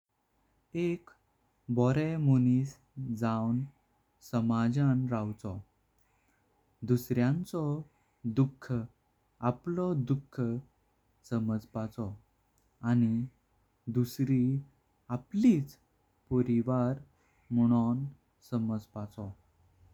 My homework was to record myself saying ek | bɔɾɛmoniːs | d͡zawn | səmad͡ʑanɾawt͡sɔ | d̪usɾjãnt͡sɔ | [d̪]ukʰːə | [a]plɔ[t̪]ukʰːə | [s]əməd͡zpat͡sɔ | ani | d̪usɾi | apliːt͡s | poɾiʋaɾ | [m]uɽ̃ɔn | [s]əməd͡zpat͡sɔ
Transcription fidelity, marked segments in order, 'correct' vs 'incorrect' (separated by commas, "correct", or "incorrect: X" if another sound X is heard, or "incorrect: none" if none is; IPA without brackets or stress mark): correct, correct, incorrect: d̪, correct, correct, correct